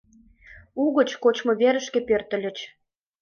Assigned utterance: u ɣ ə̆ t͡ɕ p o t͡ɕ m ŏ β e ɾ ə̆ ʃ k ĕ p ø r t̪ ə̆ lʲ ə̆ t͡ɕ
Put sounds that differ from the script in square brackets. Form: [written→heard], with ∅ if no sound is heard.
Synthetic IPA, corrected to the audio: u ɣ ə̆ t͡ɕ [p→k] o t͡ɕ m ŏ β e ɾ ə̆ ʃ k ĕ p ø r t̪ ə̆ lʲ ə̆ t͡ɕ